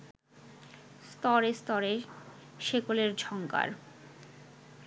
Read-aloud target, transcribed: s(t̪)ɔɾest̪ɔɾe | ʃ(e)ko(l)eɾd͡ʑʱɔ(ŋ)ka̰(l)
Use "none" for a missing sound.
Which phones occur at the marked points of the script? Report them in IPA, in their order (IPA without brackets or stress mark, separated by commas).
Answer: t̪, e, l, ŋ, ɾ